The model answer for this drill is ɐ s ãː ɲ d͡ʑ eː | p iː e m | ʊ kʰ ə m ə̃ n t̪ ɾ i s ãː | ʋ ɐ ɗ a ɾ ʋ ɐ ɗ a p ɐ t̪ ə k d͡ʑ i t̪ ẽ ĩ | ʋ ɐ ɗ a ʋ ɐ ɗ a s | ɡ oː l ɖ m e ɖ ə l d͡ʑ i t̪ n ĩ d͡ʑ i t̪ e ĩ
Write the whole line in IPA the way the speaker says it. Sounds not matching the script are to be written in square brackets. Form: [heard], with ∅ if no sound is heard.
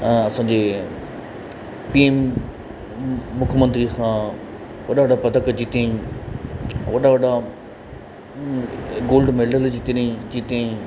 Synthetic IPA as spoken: ɐ s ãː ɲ d͡ʑ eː | p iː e m | ʊ kʰ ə m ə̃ n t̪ ɾ i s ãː | ʋ ɐ ɗ a [∅] ʋ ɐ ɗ a p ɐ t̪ ə k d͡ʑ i t̪ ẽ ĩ | ʋ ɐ ɗ a ʋ ɐ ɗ a [∅] | ɡ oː l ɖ m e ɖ ə l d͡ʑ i t̪ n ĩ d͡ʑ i t̪ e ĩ

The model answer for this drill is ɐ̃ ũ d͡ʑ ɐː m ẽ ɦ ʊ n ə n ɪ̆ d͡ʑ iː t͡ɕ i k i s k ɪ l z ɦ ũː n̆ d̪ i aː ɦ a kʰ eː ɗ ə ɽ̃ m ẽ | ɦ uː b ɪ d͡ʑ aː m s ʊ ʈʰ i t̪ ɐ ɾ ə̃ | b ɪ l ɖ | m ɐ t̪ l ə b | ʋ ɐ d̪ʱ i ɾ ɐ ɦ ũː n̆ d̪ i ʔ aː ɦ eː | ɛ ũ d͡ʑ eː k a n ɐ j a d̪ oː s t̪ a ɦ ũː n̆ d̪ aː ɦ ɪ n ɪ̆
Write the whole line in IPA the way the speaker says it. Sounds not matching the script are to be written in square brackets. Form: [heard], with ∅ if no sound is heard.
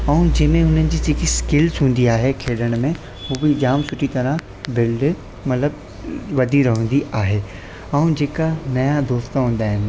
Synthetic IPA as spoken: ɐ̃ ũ d͡ʑ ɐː m ẽ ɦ ʊ n ə n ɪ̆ d͡ʑ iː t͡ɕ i k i s k ɪ l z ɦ ũː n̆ d̪ i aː ɦ [e] kʰ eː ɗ ə ɽ̃ m ẽ | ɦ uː b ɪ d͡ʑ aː m s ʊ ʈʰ i t̪ ɐ ɾ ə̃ | b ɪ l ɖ | m ɐ t̪ l ə b | ʋ ɐ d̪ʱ i ɾ ɐ ɦ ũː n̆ d̪ i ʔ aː ɦ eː | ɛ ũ d͡ʑ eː k a n ɐ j a d̪ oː s t̪ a ɦ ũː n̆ d̪ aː ɦ ɪ n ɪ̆

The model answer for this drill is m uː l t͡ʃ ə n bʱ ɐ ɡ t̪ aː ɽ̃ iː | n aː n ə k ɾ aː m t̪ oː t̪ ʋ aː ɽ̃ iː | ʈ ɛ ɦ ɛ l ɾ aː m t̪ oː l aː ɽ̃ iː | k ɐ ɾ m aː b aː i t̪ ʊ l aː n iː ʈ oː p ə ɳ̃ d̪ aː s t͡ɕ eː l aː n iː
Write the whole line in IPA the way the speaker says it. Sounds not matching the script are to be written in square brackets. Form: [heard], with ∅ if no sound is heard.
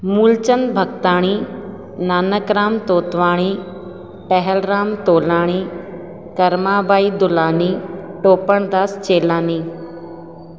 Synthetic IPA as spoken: m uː l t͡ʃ ə n bʱ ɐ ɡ t̪ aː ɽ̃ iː | n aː n ə k ɾ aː m t̪ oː t̪ ʋ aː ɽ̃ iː | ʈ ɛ ɦ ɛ l ɾ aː m t̪ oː l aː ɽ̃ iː | k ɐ ɾ m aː b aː i [d̪] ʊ l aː n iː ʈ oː p ə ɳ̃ d̪ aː s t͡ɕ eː l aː n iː

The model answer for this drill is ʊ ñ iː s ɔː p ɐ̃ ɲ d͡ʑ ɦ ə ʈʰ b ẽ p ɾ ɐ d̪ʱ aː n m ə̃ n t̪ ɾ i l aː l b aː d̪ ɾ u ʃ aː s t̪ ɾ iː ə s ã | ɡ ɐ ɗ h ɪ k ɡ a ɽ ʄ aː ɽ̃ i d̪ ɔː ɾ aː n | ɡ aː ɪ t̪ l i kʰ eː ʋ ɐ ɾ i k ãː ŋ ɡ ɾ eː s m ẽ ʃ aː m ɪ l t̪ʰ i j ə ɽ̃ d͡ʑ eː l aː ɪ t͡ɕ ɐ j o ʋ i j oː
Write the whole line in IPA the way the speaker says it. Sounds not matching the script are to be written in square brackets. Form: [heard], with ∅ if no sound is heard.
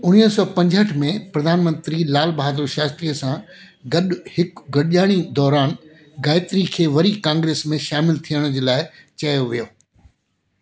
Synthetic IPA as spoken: ʊ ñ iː s ɔː p ɐ̃ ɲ d͡ʑ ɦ ə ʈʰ [m] ẽ p ɾ ɐ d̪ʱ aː n m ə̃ n t̪ ɾ i l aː l b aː d̪ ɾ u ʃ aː s t̪ ɾ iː ə s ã | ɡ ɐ ɗ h ɪ k ɡ [ɐ] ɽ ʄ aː ɽ̃ i d̪ ɔː ɾ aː n | ɡ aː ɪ t̪ [ɾ] i kʰ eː ʋ ɐ ɾ i k ãː ŋ ɡ ɾ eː s m ẽ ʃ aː m ɪ l t̪ʰ i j ə ɽ̃ d͡ʑ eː l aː ɪ t͡ɕ ɐ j o ʋ i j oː

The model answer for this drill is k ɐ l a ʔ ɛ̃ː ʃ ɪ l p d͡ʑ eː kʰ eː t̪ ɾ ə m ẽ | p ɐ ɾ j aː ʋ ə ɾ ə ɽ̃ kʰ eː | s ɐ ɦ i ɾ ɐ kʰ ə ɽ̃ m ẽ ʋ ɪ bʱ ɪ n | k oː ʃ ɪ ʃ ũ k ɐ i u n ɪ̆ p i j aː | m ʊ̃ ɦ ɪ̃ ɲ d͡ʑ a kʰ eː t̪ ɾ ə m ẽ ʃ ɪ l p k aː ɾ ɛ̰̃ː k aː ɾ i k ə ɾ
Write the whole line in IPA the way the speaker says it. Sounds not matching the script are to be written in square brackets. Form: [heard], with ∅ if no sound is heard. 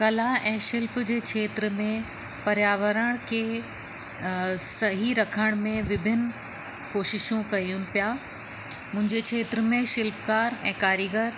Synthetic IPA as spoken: k ɐ l a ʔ ɛ̃ː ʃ ɪ l p d͡ʑ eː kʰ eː t̪ ɾ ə m ẽ | p ɐ ɾ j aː ʋ ə ɾ ə ɽ̃ kʰ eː | s ɐ ɦ i ɾ ɐ kʰ ə ɽ̃ m ẽ ʋ ɪ bʱ ɪ n | k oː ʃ ɪ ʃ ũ k ɐ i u n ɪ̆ p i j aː | m ʊ̃ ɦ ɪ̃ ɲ d͡ʑ [e] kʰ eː t̪ ɾ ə m ẽ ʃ ɪ l p k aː ɾ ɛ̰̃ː k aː ɾ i [ɡ] ə ɾ

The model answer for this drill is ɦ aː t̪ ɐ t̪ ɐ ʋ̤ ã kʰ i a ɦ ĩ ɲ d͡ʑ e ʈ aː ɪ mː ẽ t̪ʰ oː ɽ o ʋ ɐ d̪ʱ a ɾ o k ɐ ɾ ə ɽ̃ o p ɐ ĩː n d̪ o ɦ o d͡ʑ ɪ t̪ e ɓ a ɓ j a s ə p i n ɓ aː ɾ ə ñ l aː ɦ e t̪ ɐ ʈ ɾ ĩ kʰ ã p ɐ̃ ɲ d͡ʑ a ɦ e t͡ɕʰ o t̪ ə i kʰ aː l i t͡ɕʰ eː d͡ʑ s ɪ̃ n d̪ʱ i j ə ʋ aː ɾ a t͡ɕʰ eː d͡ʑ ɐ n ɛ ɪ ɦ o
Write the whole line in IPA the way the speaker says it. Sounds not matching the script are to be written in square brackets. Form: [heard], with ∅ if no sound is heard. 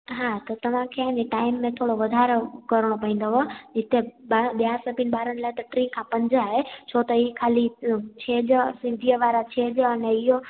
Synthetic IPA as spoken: ɦ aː t̪ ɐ t̪ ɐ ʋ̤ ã kʰ [e] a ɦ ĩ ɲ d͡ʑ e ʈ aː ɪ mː ẽ t̪ʰ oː ɽ o ʋ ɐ d̪ʱ a ɾ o k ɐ ɾ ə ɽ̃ o p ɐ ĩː n d̪ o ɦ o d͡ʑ ɪ t̪ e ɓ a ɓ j a s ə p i n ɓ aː ɾ ə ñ l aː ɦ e t̪ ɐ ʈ ɾ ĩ kʰ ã p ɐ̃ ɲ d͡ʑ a ɦ e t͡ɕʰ o t̪ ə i kʰ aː l i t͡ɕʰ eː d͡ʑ s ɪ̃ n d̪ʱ i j ə ʋ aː ɾ a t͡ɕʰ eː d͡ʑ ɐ n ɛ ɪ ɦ o

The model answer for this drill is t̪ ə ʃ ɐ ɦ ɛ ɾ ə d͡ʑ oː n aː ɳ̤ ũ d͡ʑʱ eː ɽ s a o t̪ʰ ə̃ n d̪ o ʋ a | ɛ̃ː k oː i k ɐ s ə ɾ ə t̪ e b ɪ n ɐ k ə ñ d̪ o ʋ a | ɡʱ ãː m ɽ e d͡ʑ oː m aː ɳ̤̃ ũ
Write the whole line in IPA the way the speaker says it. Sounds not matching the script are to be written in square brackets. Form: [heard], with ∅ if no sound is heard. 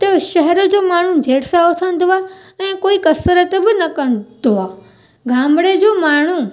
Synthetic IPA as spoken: t̪ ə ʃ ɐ ɦ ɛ ɾ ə d͡ʑ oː [m] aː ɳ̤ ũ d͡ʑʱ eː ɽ s a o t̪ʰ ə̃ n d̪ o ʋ a | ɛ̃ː k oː i k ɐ s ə ɾ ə t̪ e b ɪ n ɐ k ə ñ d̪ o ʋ a | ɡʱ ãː m ɽ e d͡ʑ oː m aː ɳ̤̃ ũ

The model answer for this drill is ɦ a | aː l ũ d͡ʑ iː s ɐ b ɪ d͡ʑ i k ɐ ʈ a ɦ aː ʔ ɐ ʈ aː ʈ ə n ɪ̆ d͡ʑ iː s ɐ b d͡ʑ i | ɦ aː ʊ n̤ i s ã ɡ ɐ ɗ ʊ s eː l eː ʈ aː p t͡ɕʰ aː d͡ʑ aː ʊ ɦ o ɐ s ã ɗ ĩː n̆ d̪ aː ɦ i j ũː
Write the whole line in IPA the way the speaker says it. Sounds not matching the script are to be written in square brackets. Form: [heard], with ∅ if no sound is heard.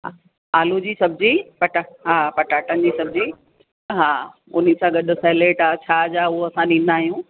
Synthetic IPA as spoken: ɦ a | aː l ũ d͡ʑ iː s ɐ b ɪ d͡ʑ i [p] ɐ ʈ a ɦ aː [p] ɐ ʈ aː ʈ ə n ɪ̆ d͡ʑ iː s ɐ b d͡ʑ i | ɦ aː ʊ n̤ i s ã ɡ ɐ ɗ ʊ s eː l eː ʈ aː [∅] t͡ɕʰ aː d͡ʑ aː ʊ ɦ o ɐ s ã ɗ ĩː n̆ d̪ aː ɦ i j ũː

